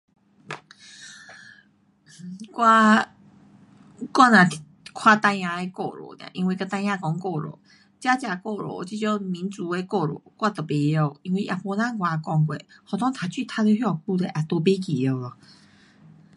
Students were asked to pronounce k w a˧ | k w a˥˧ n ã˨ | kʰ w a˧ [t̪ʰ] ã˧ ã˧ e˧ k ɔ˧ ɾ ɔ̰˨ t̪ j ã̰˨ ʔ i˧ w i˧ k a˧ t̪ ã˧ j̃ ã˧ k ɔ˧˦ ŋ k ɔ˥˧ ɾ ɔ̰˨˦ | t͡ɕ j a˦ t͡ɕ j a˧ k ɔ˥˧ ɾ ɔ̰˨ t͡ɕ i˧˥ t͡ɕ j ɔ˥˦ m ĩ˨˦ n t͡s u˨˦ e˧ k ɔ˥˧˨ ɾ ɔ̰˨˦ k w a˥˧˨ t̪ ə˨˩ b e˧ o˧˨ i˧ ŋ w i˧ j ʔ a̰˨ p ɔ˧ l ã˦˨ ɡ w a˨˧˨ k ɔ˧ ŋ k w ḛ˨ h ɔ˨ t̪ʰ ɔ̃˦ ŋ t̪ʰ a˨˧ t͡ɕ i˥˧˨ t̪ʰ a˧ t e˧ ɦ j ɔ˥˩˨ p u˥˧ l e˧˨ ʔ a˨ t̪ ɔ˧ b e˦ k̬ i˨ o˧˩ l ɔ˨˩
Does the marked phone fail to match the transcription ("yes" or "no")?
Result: yes